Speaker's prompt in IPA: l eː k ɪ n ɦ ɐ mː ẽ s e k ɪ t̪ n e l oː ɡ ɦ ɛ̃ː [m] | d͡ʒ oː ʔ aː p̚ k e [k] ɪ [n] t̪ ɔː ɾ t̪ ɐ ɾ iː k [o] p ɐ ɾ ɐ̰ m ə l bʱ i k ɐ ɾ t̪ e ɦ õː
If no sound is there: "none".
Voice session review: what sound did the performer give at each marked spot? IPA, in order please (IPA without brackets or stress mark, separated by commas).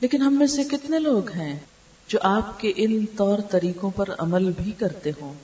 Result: none, ʔ, n, õ